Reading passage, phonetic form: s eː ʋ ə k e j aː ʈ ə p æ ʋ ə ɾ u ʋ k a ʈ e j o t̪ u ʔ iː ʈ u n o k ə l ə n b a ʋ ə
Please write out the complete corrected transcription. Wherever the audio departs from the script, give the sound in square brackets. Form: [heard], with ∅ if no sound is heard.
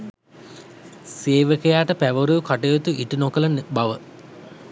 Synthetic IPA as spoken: s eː ʋ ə k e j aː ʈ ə p æ ʋ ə ɾ u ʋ k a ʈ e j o t̪ u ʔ [i] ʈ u n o k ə l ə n b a ʋ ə